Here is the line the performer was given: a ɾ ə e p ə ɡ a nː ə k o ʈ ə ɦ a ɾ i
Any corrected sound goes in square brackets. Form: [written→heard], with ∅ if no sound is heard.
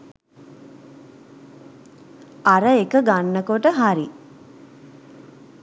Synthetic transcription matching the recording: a ɾ ə e [p→k] ə ɡ a nː ə k o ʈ ə ɦ a ɾ i